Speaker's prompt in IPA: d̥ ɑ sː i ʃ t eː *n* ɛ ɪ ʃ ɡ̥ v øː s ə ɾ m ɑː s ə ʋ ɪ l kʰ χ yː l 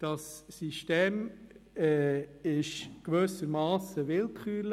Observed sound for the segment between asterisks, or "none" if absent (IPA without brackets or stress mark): m